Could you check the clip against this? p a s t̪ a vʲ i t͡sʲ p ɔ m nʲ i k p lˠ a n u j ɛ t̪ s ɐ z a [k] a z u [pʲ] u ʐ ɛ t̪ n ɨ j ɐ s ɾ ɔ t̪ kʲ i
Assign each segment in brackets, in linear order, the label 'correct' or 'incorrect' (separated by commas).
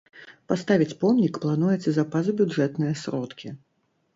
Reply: incorrect, incorrect